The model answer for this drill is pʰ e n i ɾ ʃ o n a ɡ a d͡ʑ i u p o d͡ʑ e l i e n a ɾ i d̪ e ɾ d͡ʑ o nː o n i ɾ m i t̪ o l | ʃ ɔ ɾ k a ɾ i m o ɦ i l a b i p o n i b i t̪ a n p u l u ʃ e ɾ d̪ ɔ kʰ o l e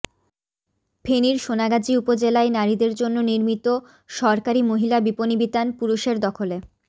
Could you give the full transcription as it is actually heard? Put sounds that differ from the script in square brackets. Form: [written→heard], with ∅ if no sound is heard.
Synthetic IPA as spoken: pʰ e n i ɾ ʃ o n a ɡ a d͡ʑ i u p o d͡ʑ e l [i→a] e n a ɾ i d̪ e ɾ d͡ʑ o nː o n i ɾ m i t̪ o [l→∅] | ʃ ɔ ɾ k a ɾ i m o ɦ i l a b i p o n i b i t̪ a n p u [l→ɾ] u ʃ e ɾ d̪ ɔ kʰ o l e